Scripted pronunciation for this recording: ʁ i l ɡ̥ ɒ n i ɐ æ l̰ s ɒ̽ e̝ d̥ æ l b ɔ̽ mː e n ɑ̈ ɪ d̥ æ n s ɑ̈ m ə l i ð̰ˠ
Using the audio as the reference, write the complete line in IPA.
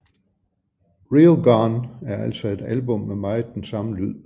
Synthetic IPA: ʁ i l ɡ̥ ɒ n æ ɐ æ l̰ s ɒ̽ e̝ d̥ æ l b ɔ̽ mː e m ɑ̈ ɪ d̥ e n s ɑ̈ m ə l y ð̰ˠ

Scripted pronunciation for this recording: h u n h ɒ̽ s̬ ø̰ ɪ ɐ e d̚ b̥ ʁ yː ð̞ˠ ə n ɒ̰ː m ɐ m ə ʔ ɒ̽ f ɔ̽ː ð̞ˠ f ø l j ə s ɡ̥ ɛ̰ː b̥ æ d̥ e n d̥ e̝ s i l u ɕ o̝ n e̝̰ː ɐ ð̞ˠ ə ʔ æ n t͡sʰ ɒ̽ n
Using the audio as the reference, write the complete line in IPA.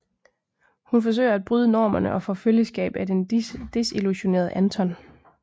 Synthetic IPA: h u n f ɒ̽ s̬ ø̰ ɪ ɐ æ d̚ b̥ ʁ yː ð̞ˠ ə n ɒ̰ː m ɐ n ə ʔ ɒ̽ f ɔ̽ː f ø l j ə s ɡ̥ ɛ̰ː b̥ æ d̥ e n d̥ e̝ s i l u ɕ o̝ n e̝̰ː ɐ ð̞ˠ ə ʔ æ n t͡sʰ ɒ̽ n

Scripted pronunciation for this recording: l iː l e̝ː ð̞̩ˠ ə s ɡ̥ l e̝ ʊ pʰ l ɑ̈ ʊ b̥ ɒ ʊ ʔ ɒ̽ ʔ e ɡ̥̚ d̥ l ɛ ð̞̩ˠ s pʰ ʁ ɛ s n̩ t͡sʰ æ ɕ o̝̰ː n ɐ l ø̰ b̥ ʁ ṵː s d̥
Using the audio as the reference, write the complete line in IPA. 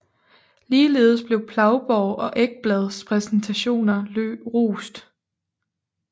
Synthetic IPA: l iː l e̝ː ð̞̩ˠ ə s b̥ l e̝ ʊ pʰ l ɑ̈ ʊ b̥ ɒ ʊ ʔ ɒ̽ ʔ e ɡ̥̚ b̥ l ɛ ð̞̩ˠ s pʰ ʁ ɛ s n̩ t͡sʰ æ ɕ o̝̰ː n ɐ l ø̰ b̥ ʁ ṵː s d̥

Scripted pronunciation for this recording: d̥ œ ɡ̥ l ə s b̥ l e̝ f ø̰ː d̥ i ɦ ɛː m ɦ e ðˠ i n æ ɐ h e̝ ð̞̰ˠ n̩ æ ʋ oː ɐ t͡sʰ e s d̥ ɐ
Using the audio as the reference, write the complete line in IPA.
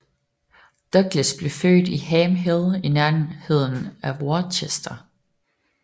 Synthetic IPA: d̥ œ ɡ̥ l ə s b̥ l e̝ f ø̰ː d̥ i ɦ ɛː m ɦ e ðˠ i n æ ɐ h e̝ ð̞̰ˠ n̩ æ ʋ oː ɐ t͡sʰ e s d̥ ɐ

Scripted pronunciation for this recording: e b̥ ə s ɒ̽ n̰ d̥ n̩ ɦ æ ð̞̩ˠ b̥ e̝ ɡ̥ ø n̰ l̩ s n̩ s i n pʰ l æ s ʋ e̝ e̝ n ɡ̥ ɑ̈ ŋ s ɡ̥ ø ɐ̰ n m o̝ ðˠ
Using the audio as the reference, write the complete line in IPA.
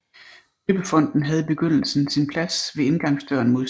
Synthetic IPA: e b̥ ə f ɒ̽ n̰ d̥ n̩ ɦ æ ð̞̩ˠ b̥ e̝ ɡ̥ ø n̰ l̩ s n̩ s i n pʰ l æ s ʋ e̝ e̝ n ɡ̥ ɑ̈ ŋ s d̥ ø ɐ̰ n m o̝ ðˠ

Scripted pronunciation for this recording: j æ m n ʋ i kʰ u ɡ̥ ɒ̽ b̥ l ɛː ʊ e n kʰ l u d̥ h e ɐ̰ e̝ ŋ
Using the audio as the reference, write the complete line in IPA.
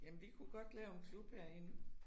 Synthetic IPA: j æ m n ʋ i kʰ u ɡ̥ ɒ̽ d̥ l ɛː ʊ e n kʰ l u b̥ h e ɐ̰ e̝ n

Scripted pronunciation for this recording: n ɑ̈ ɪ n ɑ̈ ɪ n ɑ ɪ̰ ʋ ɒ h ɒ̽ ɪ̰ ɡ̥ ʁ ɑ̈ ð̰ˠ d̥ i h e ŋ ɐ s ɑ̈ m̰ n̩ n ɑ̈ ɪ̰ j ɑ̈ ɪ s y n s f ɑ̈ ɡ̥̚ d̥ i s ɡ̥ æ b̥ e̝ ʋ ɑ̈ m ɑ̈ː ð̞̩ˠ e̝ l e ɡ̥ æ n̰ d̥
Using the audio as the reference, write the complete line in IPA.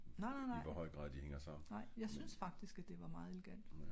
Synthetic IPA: n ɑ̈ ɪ n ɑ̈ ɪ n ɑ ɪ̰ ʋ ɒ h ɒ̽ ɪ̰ ɡ̥ ʁ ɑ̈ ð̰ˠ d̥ i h e ŋ ɐ s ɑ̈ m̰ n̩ n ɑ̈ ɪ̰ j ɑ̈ ɪ s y n s f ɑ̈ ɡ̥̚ d̥ i s ɡ̥ æ d̥ e̝ ʋ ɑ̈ m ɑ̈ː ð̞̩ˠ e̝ l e ɡ̥ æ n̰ d̥

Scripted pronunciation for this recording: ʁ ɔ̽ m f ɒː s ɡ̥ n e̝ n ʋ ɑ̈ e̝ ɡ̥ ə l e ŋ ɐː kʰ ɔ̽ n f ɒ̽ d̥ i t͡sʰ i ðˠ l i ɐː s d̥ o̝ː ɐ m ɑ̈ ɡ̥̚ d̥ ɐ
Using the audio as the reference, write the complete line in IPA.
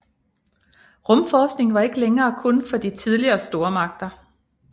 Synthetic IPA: ʁ ɔ̽ m f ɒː s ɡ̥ n e̝ ŋ ʋ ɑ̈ e̝ ɡ̥ ə l e ŋ ɐː kʰ ɔ̽ n f ɒ̽ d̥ i t͡sʰ i ðˠ l i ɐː s d̥ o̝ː ɐ m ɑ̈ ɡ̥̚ d̥ ɐ

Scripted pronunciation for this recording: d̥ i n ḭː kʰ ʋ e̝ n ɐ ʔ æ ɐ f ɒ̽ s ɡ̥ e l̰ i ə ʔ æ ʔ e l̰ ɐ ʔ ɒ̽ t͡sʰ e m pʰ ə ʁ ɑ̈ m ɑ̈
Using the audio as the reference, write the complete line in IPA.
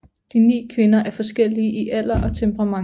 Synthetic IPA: d̥ i n ḭː kʰ ʋ e̝ n ɐ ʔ æ ɐ f ɒ̽ s ɡ̥ e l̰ i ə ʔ i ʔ æ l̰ ɐ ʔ ɒ̽ t͡sʰ e m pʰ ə ʁ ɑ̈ m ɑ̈

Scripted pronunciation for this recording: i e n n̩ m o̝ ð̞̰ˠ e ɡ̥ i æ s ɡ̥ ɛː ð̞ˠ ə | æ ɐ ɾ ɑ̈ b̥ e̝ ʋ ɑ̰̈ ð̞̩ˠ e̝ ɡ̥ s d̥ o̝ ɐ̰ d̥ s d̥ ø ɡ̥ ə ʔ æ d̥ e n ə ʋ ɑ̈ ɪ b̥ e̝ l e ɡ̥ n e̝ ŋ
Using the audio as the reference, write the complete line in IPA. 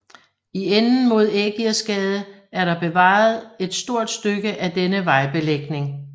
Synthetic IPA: i e n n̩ m o̝ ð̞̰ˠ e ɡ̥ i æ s ɡ̥ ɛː ð̞ˠ ə | æ ɐ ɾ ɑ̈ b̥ e̝ ʋ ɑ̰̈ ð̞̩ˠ e̝ d̥ s d̥ o̝ ɐ̰ d̥ s d̥ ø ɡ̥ ə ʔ æ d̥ e n ə ʋ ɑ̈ ɪ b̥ e̝ l e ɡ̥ n e̝ ŋ

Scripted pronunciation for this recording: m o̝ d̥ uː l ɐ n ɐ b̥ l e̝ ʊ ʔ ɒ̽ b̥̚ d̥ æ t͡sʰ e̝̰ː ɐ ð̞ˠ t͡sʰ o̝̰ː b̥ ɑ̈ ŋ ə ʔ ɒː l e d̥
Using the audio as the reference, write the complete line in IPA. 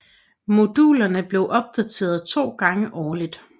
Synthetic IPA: m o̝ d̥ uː l ɐ n ə b̥ l e̝ ʊ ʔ ɒ̽ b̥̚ d̥ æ t͡sʰ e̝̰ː ɐ ð̞ˠ t͡sʰ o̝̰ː ɡ̥ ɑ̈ ŋ ə ʔ ɒː l i d̥

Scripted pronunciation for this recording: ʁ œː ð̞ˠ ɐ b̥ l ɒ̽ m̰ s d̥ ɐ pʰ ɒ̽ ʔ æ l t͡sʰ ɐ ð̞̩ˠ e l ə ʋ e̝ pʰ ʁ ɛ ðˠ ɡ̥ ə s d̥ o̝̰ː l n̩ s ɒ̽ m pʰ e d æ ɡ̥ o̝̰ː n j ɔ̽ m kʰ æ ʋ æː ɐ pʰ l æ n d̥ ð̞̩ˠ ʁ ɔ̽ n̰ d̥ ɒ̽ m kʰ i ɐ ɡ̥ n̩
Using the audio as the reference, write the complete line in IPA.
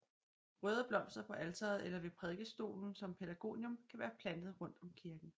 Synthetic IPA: ʁ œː ð̞ˠ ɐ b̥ l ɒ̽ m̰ s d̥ ɐ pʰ ɒ̽ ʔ æ l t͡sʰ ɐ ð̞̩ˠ e l ɐ ʋ e̝ pʰ ʁ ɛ ðˠ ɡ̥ ə s d̥ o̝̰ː l n̩ s ɒ̽ m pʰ e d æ ɡ̥ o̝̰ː n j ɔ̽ m kʰ æ ʋ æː ɐ pʰ l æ n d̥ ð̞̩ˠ ʁ ɔ̽ n̰ d̥ ɒ̽ m kʰ i ɐ ɡ̥ n̩

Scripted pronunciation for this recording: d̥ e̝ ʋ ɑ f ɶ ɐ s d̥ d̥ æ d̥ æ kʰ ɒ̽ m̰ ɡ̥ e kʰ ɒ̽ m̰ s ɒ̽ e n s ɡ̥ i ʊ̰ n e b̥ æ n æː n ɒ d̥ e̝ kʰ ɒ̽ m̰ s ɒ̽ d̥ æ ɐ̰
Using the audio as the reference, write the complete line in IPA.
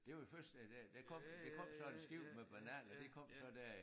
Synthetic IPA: d̥ e̝ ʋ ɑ f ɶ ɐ s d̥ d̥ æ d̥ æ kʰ ɒ̽ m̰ d̥ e kʰ ɒ̽ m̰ s ɒ̽ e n s ɡ̥ i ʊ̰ m e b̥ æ n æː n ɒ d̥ e̝ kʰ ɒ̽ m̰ s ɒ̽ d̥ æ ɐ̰

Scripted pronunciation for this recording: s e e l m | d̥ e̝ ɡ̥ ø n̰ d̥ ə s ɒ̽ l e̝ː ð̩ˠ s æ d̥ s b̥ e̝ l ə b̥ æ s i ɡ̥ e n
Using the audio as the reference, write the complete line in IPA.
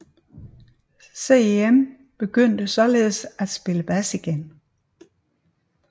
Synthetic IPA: s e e m | b̥ e̝ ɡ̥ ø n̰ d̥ ə s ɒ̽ l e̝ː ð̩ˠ s æ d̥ s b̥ e̝ l ə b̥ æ s i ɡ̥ e n

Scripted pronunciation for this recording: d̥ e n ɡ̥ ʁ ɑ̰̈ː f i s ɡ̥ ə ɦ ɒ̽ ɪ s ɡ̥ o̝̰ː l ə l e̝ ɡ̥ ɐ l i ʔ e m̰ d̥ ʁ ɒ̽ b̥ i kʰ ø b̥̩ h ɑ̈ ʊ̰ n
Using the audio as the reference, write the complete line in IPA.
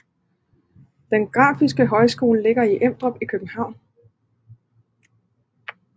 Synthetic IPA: d̥ e n ɡ̥ ʁ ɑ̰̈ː f i s ɡ̥ ə ɦ ɒ̽ ɪ s ɡ̥ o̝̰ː l ə l e̝ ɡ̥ ɐ i ʔ e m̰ d̥ ʁ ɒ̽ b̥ i kʰ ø b̥̩ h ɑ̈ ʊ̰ n

